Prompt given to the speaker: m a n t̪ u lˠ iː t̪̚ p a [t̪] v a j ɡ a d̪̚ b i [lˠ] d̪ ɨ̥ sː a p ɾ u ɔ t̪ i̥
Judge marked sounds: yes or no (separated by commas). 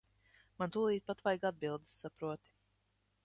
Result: yes, yes